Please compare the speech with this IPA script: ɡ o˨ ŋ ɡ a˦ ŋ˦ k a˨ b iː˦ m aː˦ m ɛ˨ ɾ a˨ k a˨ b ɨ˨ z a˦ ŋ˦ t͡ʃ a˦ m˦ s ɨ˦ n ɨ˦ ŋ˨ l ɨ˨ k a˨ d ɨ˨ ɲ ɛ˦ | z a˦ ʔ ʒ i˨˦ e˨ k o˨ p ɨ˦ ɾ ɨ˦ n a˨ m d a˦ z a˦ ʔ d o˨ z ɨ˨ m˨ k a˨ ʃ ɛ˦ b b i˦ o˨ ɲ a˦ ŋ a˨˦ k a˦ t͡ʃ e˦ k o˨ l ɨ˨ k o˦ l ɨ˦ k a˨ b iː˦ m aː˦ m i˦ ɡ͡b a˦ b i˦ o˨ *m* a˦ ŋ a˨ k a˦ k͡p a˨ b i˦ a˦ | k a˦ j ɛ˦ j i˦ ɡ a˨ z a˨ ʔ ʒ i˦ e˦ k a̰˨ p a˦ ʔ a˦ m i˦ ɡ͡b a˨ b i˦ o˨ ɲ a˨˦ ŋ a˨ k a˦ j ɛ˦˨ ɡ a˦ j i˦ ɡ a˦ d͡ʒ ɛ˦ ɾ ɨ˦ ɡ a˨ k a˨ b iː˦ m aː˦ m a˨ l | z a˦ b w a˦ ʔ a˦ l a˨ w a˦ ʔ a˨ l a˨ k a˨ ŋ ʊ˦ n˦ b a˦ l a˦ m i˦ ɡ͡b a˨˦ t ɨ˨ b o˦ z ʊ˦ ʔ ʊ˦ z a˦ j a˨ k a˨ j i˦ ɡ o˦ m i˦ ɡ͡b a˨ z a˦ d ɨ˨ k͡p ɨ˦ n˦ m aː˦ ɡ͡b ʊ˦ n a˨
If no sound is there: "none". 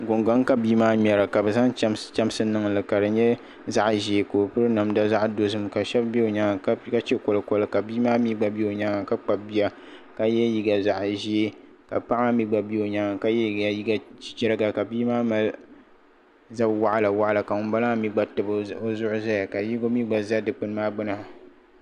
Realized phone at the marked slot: ɲ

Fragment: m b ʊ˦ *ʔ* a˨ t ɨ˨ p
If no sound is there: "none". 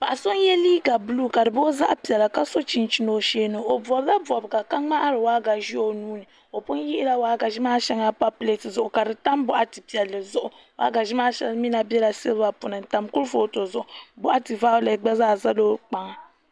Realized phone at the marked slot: ʔ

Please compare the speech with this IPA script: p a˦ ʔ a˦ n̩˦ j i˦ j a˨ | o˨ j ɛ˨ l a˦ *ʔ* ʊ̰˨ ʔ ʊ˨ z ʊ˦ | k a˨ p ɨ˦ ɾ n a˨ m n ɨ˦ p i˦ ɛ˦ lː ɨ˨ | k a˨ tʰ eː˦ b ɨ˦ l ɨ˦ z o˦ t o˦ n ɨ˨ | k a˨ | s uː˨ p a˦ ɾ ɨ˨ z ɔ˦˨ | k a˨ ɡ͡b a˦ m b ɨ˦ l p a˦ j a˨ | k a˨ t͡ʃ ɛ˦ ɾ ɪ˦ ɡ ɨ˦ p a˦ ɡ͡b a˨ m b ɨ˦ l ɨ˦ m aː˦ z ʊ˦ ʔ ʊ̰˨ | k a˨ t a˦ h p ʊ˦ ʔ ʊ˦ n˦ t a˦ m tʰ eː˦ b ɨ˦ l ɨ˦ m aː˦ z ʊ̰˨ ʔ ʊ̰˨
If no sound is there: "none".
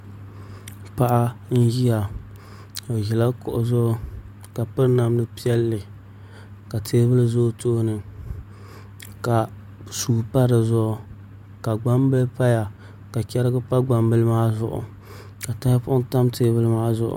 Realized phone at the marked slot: k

